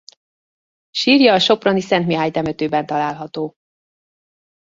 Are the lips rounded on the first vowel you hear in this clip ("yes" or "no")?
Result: no